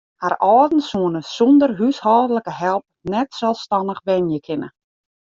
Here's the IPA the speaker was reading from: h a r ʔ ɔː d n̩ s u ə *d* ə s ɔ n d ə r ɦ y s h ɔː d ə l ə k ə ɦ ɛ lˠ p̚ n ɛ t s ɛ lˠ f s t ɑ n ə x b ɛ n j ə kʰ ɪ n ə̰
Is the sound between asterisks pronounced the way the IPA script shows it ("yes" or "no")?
no